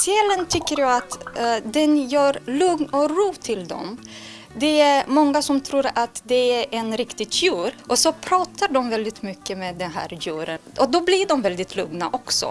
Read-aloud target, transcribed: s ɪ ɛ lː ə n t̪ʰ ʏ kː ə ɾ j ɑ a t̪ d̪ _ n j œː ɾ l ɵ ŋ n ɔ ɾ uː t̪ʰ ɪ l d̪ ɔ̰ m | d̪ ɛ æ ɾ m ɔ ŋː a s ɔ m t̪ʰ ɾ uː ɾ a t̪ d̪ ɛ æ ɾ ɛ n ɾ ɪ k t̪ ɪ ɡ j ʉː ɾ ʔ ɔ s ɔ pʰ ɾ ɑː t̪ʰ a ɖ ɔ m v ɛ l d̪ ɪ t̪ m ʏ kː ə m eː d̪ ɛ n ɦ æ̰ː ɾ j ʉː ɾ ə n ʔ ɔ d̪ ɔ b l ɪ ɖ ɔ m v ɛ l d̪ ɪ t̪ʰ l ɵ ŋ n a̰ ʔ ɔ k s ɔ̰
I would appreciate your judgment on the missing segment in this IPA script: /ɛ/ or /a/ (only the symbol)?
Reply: ɛ